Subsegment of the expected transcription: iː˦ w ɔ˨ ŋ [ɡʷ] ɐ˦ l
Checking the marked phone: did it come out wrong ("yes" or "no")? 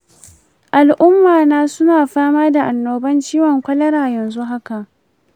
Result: yes